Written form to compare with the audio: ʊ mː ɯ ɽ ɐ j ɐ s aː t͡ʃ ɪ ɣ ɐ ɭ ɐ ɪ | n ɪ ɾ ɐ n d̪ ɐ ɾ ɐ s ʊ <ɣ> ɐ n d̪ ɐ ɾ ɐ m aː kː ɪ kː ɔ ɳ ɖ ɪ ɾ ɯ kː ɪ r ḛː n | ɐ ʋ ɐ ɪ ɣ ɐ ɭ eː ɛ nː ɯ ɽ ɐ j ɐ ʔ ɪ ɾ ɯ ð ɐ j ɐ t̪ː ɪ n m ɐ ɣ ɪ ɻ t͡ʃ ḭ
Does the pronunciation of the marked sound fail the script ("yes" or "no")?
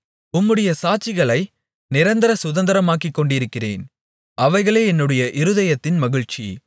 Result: yes